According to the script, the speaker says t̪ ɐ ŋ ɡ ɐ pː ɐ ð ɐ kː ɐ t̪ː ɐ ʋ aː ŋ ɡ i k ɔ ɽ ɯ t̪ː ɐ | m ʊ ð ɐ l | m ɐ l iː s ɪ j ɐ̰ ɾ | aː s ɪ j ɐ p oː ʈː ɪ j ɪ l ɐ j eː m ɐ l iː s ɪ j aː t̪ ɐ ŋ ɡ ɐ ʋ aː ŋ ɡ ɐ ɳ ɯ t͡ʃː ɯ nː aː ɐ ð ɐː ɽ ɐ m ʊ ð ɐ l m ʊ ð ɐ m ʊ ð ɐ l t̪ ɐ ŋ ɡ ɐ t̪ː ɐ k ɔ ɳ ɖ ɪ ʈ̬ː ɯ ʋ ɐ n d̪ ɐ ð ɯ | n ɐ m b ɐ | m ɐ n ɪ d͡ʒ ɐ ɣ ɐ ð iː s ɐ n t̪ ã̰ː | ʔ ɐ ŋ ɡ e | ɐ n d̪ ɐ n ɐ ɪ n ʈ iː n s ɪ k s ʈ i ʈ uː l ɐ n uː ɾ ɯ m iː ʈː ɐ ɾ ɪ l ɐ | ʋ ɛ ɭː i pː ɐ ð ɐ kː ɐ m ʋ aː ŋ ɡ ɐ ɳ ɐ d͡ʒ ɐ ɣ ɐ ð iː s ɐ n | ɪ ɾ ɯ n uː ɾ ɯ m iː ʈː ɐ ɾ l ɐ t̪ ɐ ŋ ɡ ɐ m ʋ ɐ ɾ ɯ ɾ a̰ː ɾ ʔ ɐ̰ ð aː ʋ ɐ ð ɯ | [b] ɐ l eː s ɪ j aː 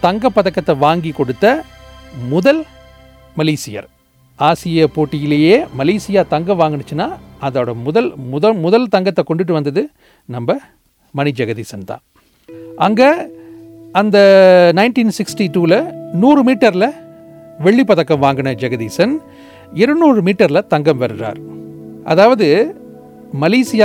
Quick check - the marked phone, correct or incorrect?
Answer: incorrect